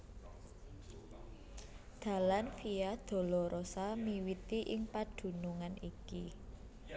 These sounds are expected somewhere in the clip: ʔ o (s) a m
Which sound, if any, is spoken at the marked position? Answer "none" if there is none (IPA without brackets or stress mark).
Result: s